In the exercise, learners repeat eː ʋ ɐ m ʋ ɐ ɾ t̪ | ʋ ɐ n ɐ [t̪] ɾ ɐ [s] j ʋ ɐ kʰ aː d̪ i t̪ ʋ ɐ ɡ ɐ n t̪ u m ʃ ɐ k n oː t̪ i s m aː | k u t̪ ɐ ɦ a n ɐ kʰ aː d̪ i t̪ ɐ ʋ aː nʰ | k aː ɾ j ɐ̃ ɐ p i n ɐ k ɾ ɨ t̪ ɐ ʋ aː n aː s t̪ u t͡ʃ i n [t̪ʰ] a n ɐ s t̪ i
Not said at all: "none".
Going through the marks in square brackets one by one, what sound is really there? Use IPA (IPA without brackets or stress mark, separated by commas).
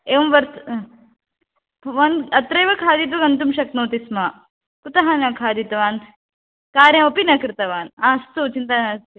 t̪, none, t̪